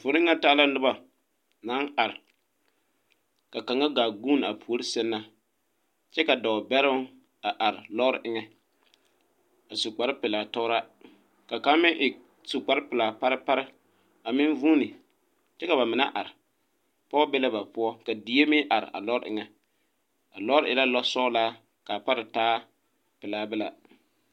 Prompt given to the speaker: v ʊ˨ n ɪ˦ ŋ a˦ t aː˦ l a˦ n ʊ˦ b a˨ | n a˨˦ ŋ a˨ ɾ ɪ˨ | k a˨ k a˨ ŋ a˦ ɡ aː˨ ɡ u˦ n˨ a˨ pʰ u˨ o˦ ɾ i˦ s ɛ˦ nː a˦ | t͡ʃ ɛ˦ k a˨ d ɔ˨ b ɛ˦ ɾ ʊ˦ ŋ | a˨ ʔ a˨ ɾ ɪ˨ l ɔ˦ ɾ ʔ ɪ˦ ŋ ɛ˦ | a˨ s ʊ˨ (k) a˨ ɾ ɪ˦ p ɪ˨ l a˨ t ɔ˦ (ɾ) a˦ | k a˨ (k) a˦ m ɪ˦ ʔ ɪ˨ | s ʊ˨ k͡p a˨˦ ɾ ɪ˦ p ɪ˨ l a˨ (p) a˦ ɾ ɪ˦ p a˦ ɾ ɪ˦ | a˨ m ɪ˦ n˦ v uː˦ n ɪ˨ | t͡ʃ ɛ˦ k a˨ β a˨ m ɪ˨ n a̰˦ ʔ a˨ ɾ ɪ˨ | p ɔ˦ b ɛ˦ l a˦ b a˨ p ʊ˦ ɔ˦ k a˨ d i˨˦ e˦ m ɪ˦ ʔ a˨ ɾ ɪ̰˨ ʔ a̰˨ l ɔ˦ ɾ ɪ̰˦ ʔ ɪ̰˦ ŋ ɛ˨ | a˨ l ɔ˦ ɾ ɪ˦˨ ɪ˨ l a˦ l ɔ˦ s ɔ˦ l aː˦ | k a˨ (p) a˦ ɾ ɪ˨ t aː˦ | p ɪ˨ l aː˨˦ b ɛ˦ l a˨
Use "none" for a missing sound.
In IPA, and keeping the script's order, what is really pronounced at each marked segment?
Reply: k͡p, ɾ, k, p, p

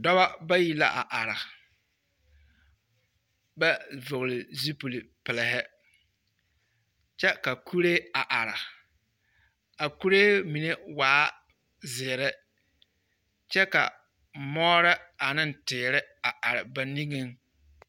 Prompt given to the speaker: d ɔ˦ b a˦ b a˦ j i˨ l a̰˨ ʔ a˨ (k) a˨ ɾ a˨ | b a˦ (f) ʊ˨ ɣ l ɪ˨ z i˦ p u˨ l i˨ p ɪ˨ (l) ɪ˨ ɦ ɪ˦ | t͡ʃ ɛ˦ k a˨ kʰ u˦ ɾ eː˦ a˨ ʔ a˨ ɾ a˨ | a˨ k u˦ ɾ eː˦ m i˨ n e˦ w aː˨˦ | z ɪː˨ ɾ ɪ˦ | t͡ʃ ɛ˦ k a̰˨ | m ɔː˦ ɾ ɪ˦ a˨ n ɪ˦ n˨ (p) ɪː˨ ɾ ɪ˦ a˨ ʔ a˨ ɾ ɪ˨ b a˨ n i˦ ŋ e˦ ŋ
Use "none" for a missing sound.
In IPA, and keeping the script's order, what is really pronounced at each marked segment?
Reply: ʔ, v, l, t

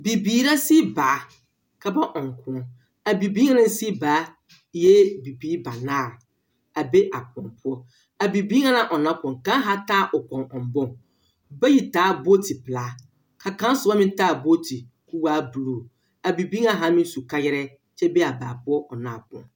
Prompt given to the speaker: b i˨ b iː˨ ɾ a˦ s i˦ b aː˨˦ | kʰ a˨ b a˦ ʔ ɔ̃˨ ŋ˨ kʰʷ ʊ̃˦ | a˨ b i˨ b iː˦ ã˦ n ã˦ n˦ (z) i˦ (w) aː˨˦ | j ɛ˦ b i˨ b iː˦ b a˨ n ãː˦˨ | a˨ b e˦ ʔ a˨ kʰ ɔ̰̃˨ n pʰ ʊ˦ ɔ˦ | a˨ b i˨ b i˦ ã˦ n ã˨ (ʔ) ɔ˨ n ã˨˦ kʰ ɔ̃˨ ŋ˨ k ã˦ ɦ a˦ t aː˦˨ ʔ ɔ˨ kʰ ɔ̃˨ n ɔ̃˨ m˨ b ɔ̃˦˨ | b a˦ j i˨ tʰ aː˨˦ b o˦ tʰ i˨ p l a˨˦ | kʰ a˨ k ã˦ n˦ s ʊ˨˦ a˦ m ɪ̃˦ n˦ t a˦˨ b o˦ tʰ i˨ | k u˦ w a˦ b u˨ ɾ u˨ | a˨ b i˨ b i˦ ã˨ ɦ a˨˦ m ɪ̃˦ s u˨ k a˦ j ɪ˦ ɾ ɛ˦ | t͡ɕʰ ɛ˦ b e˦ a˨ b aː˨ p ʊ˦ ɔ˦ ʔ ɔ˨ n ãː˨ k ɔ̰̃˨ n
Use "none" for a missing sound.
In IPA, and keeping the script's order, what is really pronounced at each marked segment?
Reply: s, b, ʔ

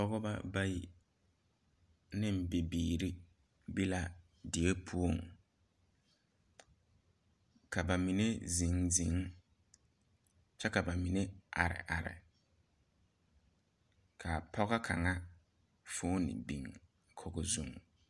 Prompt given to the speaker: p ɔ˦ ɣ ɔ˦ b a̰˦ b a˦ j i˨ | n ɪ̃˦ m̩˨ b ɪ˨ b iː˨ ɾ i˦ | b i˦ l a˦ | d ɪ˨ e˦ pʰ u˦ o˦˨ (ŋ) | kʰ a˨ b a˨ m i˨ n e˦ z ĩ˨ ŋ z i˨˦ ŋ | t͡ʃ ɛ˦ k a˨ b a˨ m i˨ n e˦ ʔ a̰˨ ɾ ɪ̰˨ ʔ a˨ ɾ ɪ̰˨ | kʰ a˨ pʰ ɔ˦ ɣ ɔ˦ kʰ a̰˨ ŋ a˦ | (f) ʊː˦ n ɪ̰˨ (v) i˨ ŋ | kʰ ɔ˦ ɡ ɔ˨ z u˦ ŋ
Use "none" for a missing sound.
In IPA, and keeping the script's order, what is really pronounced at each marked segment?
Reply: ŋ, f, b

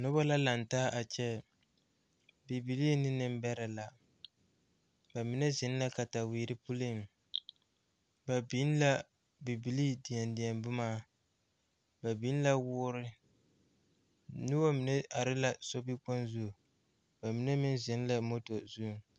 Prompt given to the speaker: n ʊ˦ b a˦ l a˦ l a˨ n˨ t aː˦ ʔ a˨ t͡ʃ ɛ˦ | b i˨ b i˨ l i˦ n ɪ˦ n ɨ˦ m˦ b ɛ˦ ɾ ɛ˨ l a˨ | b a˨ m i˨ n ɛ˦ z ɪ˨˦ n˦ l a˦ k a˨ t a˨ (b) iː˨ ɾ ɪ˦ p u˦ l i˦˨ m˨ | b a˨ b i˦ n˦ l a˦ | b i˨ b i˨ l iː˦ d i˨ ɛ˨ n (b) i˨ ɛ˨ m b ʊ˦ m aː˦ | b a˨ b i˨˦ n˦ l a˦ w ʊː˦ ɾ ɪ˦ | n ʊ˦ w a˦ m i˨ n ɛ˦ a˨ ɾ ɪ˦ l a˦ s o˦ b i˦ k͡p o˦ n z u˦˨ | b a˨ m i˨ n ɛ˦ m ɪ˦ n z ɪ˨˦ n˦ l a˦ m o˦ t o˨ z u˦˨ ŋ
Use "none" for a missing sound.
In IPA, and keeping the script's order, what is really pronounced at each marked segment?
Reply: w, d

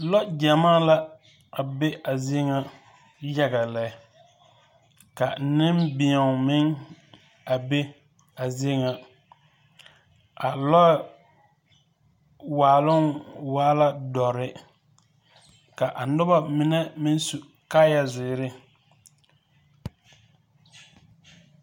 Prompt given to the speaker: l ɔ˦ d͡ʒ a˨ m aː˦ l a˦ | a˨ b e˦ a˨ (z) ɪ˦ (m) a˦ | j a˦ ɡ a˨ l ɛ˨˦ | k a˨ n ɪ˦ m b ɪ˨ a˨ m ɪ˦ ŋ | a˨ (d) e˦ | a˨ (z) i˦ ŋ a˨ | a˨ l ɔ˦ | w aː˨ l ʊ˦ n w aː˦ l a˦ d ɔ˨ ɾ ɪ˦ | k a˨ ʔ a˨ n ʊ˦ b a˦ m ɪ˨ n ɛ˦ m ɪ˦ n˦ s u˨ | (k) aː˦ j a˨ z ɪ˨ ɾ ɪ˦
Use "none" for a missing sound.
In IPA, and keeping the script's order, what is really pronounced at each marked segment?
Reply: z, ŋ, b, z, k

